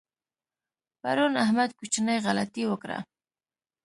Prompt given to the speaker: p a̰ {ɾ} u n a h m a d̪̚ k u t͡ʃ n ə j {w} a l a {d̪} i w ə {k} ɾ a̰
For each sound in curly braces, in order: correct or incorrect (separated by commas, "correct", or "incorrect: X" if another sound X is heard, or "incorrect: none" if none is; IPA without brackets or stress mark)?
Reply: correct, incorrect: ɣ, incorrect: t̪, correct